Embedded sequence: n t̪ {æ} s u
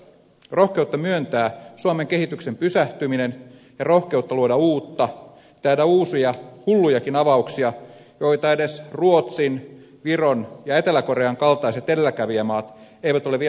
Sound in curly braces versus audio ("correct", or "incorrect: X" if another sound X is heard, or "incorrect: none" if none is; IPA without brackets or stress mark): incorrect: æː